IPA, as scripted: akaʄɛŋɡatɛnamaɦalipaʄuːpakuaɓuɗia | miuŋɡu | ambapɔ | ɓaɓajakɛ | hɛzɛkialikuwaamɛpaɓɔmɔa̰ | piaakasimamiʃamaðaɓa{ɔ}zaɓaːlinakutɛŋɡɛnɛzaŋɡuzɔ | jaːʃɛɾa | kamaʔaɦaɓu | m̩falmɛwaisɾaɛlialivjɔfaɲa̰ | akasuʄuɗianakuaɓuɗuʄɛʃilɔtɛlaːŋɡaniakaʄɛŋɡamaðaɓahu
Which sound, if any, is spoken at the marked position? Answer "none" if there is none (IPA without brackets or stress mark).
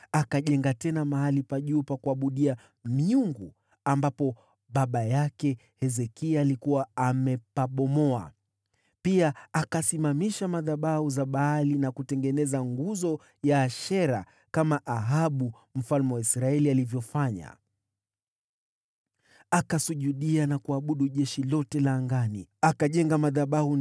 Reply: u